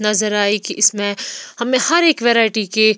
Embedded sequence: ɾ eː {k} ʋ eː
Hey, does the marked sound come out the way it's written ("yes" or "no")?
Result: yes